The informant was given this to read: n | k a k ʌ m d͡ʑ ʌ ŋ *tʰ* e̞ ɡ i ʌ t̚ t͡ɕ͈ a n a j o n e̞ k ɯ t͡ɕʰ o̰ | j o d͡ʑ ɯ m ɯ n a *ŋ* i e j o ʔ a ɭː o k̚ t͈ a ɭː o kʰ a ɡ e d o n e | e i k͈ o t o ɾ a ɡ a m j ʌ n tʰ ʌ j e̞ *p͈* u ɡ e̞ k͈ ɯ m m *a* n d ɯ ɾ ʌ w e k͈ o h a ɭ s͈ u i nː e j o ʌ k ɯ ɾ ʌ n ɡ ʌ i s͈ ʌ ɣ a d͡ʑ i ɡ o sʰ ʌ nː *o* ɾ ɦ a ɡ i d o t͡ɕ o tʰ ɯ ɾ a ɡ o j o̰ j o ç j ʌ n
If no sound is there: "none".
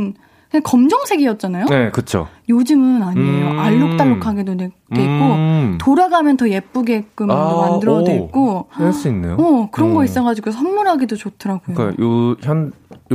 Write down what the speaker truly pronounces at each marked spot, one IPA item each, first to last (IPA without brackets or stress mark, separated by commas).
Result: sʰ, ɲ, p͈, a, u